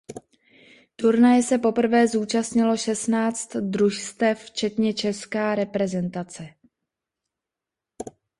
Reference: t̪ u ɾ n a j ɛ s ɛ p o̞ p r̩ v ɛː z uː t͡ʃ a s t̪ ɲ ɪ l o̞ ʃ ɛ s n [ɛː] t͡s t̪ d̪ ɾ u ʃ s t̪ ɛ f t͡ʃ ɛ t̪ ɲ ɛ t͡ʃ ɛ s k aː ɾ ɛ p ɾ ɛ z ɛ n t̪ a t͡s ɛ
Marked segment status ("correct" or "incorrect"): incorrect